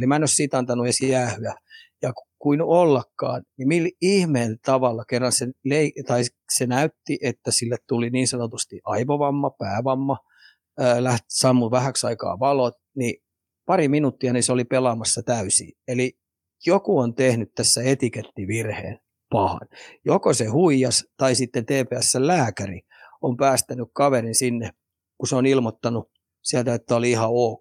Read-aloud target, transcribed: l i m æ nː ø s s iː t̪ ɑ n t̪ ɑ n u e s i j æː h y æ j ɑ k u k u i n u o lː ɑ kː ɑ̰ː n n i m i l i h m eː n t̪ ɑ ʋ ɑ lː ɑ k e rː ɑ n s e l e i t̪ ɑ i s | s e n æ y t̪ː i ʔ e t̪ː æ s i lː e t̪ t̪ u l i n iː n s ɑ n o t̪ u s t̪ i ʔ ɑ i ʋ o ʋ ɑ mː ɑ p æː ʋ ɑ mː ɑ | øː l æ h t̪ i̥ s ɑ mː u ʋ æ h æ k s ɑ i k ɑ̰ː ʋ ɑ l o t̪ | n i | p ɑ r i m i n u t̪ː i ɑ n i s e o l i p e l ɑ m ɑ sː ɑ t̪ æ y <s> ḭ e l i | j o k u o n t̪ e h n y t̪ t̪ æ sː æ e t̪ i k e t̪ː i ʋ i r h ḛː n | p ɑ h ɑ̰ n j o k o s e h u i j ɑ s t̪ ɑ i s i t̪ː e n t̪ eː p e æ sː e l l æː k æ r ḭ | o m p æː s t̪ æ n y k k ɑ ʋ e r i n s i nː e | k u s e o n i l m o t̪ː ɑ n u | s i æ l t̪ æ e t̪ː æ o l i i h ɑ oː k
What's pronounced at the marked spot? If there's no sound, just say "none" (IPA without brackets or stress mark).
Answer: s